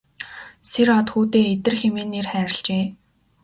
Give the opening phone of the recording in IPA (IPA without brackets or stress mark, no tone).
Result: s